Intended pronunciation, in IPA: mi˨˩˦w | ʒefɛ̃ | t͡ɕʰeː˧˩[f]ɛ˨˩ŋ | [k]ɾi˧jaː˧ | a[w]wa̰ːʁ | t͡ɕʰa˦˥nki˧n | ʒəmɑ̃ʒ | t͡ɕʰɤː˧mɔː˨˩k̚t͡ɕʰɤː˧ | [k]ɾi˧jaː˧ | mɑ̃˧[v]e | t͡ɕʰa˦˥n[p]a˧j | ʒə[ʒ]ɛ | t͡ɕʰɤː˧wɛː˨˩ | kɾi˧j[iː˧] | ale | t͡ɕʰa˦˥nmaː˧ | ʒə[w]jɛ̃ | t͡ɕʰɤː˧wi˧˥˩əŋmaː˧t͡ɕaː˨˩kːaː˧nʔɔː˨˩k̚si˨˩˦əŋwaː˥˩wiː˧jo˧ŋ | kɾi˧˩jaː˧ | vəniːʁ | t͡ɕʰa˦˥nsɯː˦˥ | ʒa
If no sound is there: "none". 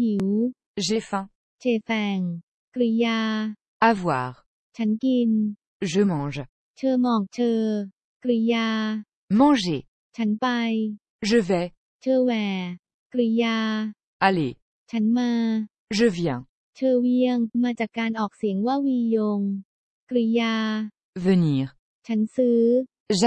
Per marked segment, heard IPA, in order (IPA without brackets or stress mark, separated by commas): f, k, v, k, ʒ, p, v, aː˧, v